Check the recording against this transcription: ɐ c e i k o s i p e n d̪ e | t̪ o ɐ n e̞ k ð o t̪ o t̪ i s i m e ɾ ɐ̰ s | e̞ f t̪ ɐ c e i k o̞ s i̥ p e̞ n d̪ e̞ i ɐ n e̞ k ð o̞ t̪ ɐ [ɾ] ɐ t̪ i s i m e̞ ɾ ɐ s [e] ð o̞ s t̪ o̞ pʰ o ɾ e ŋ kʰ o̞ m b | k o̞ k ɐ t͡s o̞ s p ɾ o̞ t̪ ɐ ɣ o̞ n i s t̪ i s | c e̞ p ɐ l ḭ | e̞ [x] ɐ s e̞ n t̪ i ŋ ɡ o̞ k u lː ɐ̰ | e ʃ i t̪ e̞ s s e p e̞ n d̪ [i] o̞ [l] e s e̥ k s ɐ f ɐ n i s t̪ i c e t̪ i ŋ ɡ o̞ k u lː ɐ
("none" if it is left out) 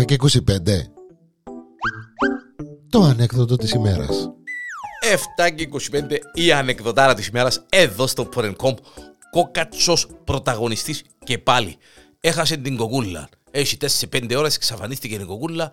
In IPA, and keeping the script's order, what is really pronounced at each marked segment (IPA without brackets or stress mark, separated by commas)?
ɾ, e, x, e, ɾ